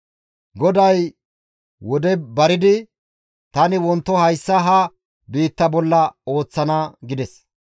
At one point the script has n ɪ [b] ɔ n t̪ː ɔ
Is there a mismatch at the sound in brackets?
yes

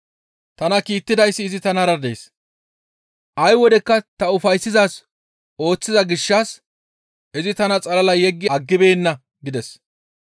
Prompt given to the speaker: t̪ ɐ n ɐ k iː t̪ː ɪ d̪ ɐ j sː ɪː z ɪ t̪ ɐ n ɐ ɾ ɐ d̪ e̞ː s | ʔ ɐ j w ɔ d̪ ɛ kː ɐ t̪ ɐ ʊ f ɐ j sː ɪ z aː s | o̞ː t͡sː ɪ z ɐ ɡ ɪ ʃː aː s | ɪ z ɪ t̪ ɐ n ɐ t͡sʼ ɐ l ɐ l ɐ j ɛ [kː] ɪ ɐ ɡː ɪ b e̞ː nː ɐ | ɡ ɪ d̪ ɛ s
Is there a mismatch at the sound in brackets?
yes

